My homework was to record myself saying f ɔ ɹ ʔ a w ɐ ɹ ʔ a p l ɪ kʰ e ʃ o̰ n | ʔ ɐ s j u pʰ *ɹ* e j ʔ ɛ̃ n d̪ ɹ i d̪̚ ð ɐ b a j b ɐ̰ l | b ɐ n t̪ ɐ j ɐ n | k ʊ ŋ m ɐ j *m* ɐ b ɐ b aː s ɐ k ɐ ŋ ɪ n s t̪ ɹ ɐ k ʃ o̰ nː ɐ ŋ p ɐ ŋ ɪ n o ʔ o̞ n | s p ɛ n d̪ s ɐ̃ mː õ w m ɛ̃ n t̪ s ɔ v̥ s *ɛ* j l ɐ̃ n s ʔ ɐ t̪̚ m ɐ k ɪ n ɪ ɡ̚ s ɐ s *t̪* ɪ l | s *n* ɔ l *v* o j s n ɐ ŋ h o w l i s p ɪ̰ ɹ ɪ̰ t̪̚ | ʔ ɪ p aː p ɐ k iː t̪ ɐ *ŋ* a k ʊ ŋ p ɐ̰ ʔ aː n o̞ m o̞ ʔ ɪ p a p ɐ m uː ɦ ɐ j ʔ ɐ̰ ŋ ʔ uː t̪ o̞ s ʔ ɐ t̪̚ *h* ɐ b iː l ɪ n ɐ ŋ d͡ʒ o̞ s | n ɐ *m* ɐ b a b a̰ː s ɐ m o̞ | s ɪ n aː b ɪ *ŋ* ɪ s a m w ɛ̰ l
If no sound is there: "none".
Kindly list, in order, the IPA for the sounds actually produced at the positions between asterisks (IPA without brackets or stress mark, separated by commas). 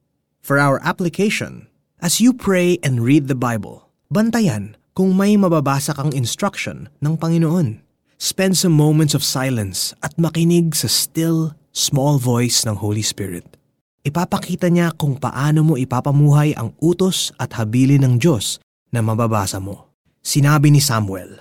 ɹ, m, a, t̪, m, v, ɲ, h, m, n